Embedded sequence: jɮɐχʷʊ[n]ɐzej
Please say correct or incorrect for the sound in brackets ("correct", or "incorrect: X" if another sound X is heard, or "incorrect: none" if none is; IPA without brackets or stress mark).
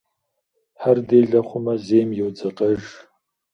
incorrect: m